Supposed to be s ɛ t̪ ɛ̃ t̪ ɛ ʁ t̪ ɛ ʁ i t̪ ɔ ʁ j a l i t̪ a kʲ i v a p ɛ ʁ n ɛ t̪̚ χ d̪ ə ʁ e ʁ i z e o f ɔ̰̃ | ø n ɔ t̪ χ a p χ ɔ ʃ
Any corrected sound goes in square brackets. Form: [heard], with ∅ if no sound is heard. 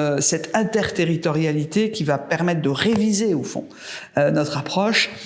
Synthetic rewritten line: s ɛ t̪ ɛ̃ t̪ ɛ ʁ t̪ [e] ʁ i t̪ ɔ ʁ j a l i t̪ [e] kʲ i v a p ɛ ʁ [m] ɛ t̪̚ χ d̪ ə ʁ e [v] i z e o f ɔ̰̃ | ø n ɔ t̪ χ a p χ ɔ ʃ

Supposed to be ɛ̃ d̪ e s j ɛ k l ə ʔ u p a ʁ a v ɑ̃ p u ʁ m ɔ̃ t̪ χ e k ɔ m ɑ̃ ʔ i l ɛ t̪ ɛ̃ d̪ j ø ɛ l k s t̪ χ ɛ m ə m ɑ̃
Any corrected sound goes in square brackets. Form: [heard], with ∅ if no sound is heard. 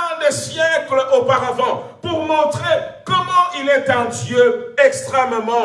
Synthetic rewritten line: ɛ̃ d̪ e s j ɛ k l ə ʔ [o] p a ʁ a v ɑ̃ p u ʁ m ɔ̃ t̪ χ e k ɔ m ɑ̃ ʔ i l ɛ t̪ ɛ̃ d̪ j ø ɛ [∅] k s t̪ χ ɛ m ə m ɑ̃

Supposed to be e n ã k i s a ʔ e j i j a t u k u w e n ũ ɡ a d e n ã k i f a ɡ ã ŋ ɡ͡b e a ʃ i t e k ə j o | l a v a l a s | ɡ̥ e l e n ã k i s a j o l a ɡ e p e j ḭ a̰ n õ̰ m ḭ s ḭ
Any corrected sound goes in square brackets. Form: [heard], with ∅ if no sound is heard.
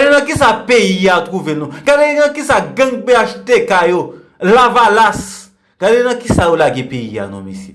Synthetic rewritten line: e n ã k i s a [p] e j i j a t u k u [v] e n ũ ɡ a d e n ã k i [s] a ɡ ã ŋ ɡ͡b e a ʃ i t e k [a] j o | l a v a l a s | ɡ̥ [a] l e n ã k i s a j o l a ɡ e p e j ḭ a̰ n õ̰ m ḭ s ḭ

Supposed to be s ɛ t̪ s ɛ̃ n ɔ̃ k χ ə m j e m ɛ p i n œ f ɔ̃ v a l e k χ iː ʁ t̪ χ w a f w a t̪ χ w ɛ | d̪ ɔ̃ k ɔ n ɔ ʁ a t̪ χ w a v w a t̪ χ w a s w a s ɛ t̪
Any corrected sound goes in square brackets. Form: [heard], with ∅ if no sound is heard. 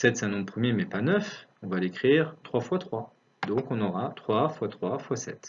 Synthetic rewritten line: s ɛ t̪ s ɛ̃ n ɔ̃ [p] χ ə m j e m ɛ p [a] n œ f ɔ̃ v a l e k χ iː ʁ t̪ χ w a f w a t̪ χ w [a] | d̪ ɔ̃ k [ɔ̃] n ɔ ʁ a t̪ χ w a [f] w a t̪ χ w a [f] w a s ɛ t̪

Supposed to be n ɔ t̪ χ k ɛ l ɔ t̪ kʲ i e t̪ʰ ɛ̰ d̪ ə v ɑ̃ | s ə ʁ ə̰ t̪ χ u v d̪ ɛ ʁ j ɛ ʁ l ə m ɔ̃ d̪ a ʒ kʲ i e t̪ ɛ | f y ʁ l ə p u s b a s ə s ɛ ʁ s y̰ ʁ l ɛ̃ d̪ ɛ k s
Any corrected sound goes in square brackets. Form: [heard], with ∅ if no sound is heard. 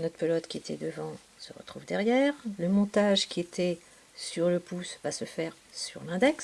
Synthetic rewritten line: n ɔ t̪ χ [p] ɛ l ɔ t̪ kʲ i e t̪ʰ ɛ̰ d̪ ə v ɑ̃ | s ə ʁ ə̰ t̪ χ u v d̪ ɛ ʁ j ɛ ʁ l ə m ɔ̃ [t̪] a ʒ kʲ i e t̪ ɛ | [s] y ʁ l ə p u s [v] a s ə [f] ɛ ʁ s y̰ ʁ l ɛ̃ d̪ ɛ k s

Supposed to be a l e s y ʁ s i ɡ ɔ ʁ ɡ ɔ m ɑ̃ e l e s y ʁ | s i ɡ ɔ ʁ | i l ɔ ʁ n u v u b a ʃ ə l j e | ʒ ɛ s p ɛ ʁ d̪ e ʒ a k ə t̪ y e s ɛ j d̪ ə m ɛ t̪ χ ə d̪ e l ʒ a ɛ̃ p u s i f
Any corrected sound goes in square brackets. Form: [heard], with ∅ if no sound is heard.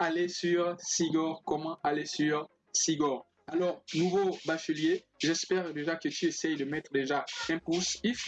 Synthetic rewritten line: a l e s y ʁ s i ɡ ɔ ʁ [k] ɔ m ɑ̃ [a] l e s y ʁ | s i ɡ ɔ ʁ | [a] l ɔ ʁ n u v [o] b a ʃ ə l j e | ʒ ɛ s p ɛ ʁ d̪ e ʒ a k ə t̪ y e s ɛ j d̪ ə m ɛ t̪ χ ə d̪ e [∅] ʒ a ɛ̃ p u s i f

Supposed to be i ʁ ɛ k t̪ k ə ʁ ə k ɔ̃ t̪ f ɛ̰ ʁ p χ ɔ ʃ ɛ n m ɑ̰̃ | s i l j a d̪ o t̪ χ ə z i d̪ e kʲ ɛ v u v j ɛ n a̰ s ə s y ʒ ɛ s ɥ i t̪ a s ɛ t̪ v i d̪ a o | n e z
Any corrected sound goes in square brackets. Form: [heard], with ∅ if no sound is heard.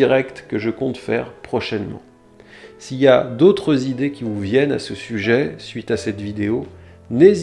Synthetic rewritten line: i ʁ ɛ k t̪ k ə [ʒ] ə k ɔ̃ t̪ f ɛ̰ ʁ p χ ɔ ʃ ɛ n m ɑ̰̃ | s i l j a d̪ o t̪ χ ə z i d̪ e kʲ [i] v u v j ɛ n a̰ s ə s y ʒ ɛ s ɥ i t̪ a s ɛ t̪ v i d̪ [e] o | n e z

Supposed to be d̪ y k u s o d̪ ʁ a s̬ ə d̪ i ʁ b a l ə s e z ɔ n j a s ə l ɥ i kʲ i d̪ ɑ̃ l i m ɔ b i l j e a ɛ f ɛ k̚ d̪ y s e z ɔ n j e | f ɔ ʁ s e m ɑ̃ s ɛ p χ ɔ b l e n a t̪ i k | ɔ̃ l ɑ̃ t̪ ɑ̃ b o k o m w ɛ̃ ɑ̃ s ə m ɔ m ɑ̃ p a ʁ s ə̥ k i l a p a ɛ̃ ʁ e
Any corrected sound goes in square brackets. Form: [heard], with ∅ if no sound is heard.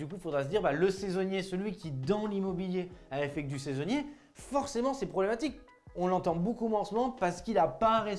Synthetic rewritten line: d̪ y k u [f] o d̪ ʁ a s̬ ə d̪ i ʁ b a l ə s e z ɔ n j [e] s ə l ɥ i kʲ i d̪ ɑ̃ l i m ɔ b i l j e a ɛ f ɛ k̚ d̪ y s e z ɔ n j e | f ɔ ʁ s e m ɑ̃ s ɛ p χ ɔ b l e [m] a t̪ i k | ɔ̃ l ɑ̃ t̪ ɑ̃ b o k [u] m w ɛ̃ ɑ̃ s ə m ɔ m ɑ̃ p a ʁ s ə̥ k i l a p a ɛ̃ ʁ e

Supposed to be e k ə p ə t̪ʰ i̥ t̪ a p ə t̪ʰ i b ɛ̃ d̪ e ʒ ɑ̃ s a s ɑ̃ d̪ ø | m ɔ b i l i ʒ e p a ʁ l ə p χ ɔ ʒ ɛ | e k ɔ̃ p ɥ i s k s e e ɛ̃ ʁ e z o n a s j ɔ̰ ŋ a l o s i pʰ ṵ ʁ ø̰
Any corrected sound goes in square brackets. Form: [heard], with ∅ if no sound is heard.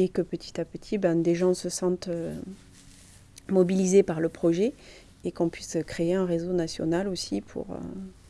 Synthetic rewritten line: e k ə p ə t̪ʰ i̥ t̪ a p ə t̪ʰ i b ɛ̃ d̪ e ʒ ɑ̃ s [ə] s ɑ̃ [t̪] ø | m ɔ b i l i [z] e p a ʁ l ə p χ ɔ ʒ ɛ | e k ɔ̃ p ɥ i s k [χ] e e ɛ̃ ʁ e z o n a s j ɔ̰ [n] a l o s i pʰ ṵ ʁ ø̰

